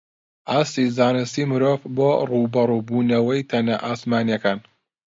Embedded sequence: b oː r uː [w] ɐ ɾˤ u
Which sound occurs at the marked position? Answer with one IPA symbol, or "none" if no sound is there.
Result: b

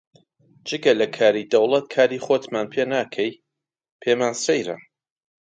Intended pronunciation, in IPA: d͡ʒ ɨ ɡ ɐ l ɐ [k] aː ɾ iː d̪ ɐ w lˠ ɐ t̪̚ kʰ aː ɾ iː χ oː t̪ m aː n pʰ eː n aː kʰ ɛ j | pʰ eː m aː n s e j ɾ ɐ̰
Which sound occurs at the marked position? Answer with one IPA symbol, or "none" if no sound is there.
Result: kʰ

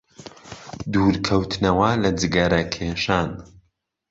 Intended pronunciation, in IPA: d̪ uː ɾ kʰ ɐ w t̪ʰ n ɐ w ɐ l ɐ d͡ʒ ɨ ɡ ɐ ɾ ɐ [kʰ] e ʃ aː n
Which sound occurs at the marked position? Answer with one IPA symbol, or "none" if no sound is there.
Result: kʰ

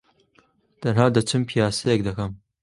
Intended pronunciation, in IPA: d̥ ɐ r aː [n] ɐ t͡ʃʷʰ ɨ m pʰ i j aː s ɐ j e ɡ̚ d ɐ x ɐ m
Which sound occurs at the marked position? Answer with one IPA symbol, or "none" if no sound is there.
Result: d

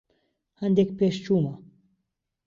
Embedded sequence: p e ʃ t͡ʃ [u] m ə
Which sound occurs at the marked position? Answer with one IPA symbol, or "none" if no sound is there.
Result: u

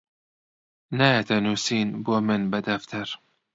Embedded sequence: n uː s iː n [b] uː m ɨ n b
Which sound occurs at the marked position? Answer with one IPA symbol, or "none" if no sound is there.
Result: b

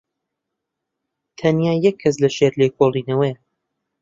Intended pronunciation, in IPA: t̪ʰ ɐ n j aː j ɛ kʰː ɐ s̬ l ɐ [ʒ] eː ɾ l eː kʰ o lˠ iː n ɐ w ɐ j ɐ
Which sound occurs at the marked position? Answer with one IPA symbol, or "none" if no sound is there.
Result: ʃ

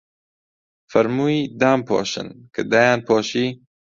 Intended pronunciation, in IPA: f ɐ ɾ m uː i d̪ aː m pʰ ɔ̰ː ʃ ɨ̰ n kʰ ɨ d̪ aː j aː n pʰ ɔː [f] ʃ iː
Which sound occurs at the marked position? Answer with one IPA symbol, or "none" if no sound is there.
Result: none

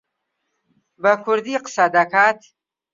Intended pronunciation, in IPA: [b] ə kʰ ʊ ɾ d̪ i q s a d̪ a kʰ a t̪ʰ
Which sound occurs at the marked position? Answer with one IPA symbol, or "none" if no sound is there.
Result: b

